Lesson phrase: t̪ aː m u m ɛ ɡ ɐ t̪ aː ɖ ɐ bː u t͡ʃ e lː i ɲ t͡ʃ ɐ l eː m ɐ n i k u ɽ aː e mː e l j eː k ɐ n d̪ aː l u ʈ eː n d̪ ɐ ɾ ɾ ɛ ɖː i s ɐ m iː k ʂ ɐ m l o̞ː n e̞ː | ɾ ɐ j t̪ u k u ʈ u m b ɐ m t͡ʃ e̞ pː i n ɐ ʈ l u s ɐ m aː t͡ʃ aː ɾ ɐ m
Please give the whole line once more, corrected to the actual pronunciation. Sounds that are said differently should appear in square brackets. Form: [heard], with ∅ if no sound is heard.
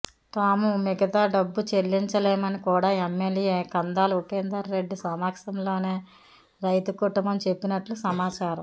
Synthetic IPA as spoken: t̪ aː m u m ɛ ɡ ɐ t̪ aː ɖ ɐ bː u t͡ʃ e lː i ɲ t͡ʃ ɐ l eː m ɐ n i k [uː] ɽ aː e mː e l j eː k ɐ n d̪ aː l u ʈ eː n d̪ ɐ ɾ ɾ [e] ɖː i s ɐ m [aː] k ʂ ɐ m l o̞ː n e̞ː | ɾ ɐ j t̪ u k u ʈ u m b ɐ m t͡ʃ e̞ pː i n ɐ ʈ l u s ɐ m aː t͡ʃ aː ɾ ɐ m

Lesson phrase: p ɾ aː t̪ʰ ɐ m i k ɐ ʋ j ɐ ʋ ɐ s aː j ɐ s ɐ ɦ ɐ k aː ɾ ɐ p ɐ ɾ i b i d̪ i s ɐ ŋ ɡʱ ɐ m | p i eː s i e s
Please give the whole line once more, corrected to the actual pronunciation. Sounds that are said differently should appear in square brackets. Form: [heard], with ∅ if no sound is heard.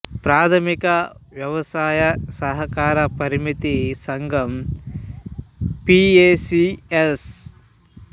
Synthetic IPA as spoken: p ɾ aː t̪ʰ ɐ m i k ɐ ʋ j ɐ ʋ ɐ s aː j ɐ s ɐ ɦ ɐ k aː ɾ ɐ p ɐ ɾ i [m] i [t̪] i s ɐ ŋ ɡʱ ɐ m | p i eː s i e s

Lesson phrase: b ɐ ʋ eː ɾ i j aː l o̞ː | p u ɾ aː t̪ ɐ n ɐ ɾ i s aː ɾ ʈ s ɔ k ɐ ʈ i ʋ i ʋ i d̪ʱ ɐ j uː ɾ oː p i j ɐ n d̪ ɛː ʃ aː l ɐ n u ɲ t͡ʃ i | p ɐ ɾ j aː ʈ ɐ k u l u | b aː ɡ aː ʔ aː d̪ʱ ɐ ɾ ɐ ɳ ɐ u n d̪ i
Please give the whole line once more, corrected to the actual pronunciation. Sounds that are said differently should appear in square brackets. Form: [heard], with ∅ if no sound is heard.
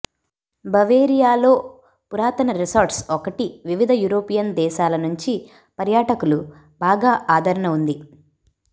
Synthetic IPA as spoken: b ɐ ʋ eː ɾ i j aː l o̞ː | p u ɾ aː t̪ ɐ n ɐ ɾ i s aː ɾ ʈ s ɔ k ɐ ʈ i ʋ i ʋ i d̪ʱ ɐ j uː ɾ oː p i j ɐ n d̪ ɛː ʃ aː l ɐ n u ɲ t͡ʃ i | p ɐ ɾ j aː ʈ ɐ k u l u | b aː ɡ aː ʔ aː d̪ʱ ɐ ɾ ɐ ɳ ɐ u n d̪ i

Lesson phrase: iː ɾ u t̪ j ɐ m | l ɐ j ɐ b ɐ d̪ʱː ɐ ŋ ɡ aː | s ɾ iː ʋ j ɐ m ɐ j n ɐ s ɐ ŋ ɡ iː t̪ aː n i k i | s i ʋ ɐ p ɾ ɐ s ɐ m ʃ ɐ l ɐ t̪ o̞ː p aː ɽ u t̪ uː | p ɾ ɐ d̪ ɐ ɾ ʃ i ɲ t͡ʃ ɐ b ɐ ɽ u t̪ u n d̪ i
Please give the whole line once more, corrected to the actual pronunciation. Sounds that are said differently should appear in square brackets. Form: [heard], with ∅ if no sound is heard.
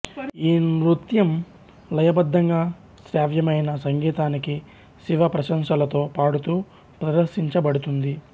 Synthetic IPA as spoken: iː ɾ u t̪ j ɐ m | l ɐ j ɐ b ɐ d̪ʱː ɐ ŋ ɡ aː | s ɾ [aː] ʋ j ɐ m ɐ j n ɐ s ɐ ŋ ɡ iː t̪ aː n i k i | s i ʋ ɐ p ɾ ɐ [ʃ] ɐ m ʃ ɐ l ɐ t̪ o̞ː p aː ɽ u t̪ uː | p ɾ ɐ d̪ ɐ ɾ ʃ i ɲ t͡ʃ ɐ b ɐ ɽ u t̪ u n d̪ i

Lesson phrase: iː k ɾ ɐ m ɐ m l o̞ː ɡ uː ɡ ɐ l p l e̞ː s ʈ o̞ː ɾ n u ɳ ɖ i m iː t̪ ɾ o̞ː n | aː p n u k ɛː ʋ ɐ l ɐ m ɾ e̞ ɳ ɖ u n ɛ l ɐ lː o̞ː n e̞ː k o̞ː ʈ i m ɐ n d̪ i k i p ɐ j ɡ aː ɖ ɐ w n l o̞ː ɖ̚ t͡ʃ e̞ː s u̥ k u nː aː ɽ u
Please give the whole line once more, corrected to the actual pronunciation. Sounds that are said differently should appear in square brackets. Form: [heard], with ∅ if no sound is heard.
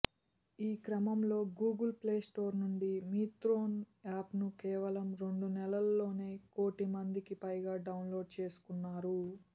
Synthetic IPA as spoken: iː k ɾ ɐ m ɐ m l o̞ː ɡ uː ɡ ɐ l p l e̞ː s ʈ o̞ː ɾ n u ɳ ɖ i m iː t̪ ɾ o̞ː n | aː p n u k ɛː ʋ ɐ l ɐ m ɾ e̞ ɳ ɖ u n ɛ l ɐ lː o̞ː n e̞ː k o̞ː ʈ i m ɐ n d̪ i k i p ɐ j ɡ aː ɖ ɐ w n l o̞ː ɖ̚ t͡ʃ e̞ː s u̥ k u nː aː [ɾ] u

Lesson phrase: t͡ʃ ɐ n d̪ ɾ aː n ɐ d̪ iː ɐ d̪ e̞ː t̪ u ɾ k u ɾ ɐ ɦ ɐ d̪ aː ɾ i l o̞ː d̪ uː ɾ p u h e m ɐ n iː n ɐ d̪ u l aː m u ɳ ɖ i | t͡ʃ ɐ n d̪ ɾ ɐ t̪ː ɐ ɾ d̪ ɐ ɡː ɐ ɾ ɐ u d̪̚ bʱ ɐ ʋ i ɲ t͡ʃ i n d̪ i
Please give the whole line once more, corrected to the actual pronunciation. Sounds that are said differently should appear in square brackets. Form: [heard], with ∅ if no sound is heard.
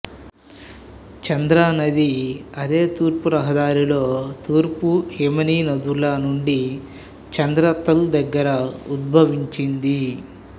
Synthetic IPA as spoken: t͡ʃ ɐ n d̪ ɾ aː n ɐ d̪ [i] ɐ d̪ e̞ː t̪ [uː] ɾ [p] u ɾ ɐ ɦ ɐ d̪ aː ɾ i l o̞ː [t̪] uː ɾ p u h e m ɐ n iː n ɐ d̪ u l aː [n] u ɳ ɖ i | t͡ʃ ɐ n d̪ ɾ ɐ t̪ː ɐ [l] d̪ ɐ ɡː ɐ ɾ ɐ u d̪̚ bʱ ɐ ʋ i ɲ t͡ʃ i n d̪ i

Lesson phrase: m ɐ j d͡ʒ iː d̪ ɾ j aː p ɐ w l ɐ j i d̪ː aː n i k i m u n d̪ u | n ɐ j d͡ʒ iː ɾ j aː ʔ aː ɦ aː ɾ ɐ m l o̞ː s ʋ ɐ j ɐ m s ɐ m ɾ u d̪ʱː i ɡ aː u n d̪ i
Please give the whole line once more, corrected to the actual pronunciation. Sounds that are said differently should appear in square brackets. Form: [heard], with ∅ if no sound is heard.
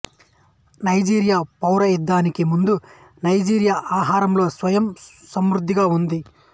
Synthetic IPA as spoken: [n] ɐ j d͡ʒ iː [∅] ɾ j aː p ɐ w [ɾ] ɐ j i d̪ː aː n i k i m u n d̪ u | n ɐ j d͡ʒ iː ɾ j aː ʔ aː ɦ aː ɾ ɐ m l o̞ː s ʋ ɐ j ɐ m s ɐ m ɾ u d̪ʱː i ɡ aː u n d̪ i

